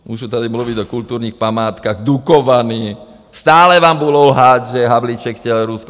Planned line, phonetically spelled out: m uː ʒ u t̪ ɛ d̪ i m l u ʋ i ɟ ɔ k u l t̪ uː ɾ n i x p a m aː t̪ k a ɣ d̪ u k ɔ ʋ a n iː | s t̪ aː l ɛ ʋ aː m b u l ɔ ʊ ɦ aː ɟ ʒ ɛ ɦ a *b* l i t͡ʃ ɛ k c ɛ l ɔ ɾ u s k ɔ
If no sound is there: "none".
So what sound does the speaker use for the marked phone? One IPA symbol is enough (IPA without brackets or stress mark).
b